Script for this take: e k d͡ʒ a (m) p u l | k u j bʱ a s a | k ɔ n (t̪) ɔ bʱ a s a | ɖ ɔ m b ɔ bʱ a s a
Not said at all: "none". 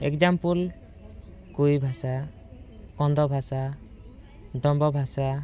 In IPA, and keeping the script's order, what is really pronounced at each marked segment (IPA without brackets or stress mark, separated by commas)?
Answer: m, d̪